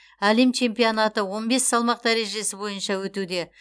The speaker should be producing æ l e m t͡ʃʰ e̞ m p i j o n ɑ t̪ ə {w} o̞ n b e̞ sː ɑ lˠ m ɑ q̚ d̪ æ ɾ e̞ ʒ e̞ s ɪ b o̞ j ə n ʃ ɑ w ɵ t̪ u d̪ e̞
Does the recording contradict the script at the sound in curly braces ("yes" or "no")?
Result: no